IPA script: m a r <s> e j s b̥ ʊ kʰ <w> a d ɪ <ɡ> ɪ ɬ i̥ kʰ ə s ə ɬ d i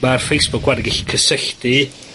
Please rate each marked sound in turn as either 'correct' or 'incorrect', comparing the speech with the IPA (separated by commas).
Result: incorrect, correct, correct